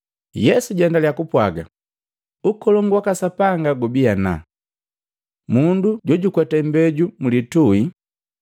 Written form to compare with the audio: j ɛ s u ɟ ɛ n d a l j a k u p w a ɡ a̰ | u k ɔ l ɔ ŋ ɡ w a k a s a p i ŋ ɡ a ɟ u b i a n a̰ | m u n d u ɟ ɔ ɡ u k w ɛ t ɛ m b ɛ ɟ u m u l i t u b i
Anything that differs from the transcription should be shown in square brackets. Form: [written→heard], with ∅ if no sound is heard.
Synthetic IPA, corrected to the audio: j ɛ s u ɟ ɛ n d a l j a k u p w a ɡ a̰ | u k ɔ l ɔ ŋ ɡ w a k a s a p [i→a] ŋ ɡ a [ɟ→ɡ] u b i a n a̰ | m u n d u ɟ ɔ [ɡ→ɟ] u k w ɛ t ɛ m b ɛ ɟ u m u l i t u [b→∅] i